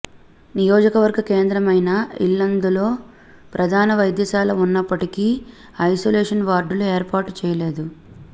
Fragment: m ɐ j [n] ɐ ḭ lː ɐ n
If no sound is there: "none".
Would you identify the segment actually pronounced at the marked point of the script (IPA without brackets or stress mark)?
n